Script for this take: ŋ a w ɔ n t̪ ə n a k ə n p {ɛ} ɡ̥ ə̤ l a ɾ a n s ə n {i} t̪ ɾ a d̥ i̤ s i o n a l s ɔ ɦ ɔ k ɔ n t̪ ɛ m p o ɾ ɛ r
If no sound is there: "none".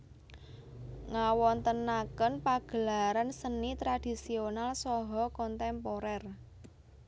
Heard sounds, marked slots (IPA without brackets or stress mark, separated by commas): a, i